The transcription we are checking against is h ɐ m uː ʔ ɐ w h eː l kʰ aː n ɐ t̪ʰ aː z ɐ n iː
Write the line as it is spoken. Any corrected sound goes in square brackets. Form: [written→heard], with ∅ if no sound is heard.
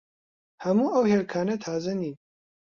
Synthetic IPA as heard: h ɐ m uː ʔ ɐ w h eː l kʰ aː n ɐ t̪ʰ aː z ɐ n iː